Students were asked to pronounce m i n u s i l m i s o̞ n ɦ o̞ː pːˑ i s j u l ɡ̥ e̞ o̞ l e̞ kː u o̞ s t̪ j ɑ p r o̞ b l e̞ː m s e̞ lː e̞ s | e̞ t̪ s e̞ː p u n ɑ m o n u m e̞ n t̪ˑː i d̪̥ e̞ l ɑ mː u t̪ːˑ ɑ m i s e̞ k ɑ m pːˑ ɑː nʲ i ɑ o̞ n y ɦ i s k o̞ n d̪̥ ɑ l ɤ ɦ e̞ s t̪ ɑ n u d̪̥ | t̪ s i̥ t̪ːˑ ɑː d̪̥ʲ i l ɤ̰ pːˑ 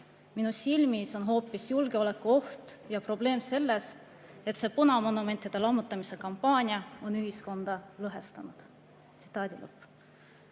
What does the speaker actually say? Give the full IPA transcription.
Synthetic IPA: m i n u s i l m i s o̞ n ɦ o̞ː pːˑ i s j u l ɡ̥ e̞ o̞ l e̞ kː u o̞ h t̪ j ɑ p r o̞ b l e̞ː m s e̞ lː e̞ s | e̞ t̪ s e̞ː p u n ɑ m o n u m e̞ n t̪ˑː i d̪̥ e̞ l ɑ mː u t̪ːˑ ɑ m i s e̞ k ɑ m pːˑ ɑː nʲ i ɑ o̞ n y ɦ i s k o̞ n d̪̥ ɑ l ɤ ɦ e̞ s t̪ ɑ n u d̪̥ | t̪ s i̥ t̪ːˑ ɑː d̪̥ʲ i l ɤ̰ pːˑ